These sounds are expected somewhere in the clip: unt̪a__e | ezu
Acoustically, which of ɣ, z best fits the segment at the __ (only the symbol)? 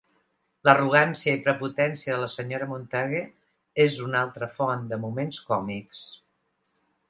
ɣ